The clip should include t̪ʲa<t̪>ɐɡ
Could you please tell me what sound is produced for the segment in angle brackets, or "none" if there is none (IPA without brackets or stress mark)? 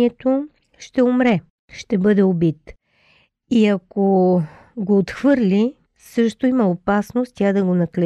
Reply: d̪